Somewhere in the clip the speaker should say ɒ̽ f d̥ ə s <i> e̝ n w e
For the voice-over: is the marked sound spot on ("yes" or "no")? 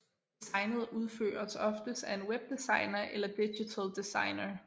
no